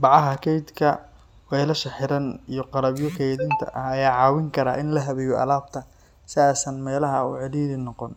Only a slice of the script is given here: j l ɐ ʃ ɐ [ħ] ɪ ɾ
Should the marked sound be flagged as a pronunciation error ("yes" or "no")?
no